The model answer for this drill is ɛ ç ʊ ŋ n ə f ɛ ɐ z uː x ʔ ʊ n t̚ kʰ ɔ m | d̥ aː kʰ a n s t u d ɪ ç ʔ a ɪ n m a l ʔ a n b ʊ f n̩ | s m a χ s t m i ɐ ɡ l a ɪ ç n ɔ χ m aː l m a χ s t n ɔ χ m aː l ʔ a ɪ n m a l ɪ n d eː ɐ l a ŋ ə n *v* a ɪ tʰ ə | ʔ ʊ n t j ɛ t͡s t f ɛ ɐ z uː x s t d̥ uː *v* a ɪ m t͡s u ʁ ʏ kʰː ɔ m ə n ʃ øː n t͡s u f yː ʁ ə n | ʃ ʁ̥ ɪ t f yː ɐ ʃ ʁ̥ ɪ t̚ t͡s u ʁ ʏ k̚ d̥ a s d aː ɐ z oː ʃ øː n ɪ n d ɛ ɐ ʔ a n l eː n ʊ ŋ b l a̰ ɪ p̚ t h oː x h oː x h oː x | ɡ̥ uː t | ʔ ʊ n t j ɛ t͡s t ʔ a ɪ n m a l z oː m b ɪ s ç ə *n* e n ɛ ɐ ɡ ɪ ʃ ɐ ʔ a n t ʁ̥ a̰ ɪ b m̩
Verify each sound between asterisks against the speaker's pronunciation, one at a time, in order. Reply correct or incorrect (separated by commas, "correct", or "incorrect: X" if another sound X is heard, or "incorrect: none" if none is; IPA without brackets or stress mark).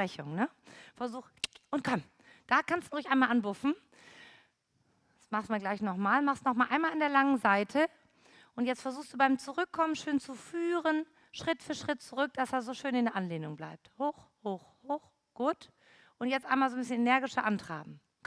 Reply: incorrect: z, incorrect: b, correct